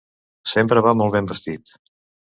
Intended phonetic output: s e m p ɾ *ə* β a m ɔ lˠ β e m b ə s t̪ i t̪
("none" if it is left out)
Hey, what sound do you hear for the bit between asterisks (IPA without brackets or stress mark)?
ə